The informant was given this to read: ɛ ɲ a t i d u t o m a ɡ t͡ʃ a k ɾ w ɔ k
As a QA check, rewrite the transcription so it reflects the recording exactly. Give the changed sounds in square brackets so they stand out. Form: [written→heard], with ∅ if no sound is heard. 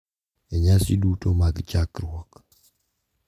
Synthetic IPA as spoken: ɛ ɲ a [t→s] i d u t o m a ɡ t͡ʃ a k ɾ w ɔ k